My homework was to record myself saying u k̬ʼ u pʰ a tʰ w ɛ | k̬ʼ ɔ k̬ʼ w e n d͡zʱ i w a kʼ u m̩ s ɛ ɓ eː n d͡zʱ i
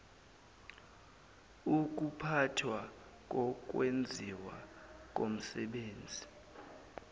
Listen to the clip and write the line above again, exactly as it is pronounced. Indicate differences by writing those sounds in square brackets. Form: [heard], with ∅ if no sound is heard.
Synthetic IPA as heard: u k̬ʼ u pʰ a tʰ w [a] | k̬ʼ ɔ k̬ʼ w e n d͡zʱ i w a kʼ [o] m̩ s ɛ ɓ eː n d͡zʱ i